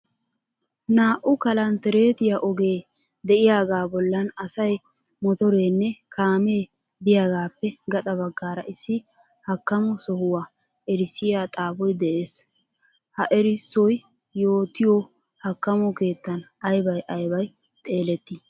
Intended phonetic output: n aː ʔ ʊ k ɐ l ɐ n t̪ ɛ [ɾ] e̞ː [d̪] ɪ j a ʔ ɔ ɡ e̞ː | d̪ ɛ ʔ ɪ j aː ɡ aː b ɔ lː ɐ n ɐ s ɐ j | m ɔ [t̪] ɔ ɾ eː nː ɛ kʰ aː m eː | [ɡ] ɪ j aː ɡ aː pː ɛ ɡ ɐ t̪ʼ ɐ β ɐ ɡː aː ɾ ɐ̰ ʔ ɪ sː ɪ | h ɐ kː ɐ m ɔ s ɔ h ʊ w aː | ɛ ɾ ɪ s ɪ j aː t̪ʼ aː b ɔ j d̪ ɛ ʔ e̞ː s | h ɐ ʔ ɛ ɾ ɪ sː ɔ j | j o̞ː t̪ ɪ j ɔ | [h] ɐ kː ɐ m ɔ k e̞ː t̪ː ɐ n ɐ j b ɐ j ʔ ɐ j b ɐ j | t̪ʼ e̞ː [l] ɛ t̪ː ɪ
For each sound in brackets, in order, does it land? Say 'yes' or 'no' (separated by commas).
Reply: yes, no, yes, no, yes, yes